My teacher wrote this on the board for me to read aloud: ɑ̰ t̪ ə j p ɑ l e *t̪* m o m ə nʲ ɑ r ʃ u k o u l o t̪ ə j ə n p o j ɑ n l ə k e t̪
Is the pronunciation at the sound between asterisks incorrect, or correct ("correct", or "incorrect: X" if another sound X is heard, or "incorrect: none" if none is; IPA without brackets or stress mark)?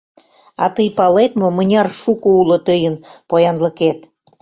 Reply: correct